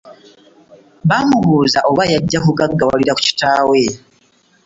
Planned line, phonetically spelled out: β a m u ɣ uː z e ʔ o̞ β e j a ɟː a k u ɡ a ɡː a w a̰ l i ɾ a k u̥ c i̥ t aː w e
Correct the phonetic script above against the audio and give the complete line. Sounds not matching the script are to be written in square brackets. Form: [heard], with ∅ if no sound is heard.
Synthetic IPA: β a m u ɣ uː z [a] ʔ o̞ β [a] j a ɟː a k u ɡ a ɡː a w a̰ l i ɾ a k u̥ c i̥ t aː w e